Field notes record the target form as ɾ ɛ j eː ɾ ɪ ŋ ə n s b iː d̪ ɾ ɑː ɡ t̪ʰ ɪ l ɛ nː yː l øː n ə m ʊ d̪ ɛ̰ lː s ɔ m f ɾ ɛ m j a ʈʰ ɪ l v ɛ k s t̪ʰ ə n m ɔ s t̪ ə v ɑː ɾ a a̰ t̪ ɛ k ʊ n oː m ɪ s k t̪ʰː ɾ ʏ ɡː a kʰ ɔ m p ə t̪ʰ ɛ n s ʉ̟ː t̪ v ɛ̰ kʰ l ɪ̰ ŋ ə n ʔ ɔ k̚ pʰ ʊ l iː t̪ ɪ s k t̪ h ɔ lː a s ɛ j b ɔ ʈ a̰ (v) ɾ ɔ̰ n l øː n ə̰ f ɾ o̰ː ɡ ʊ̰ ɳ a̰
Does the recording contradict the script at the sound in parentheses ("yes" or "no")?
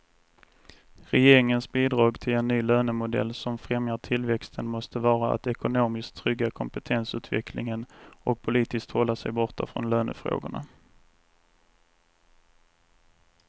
yes